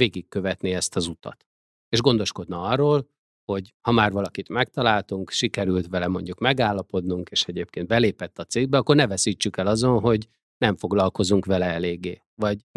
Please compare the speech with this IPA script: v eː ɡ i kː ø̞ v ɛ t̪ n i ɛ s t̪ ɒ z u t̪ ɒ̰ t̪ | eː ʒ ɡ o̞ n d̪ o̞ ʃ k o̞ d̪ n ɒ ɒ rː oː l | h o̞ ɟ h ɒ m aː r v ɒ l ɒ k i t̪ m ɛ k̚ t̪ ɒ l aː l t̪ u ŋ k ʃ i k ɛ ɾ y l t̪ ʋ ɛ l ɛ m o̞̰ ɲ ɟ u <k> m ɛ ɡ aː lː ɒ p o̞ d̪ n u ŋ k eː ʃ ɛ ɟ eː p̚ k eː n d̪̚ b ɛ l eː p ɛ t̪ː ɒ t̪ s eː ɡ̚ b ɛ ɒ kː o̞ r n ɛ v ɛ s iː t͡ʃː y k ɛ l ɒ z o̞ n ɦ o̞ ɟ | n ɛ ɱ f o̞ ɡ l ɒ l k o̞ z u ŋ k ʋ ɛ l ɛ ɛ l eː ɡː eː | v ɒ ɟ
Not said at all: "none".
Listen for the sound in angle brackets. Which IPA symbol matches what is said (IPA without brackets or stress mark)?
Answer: k